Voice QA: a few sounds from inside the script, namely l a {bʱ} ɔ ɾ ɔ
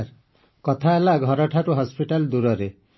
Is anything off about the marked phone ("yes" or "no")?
yes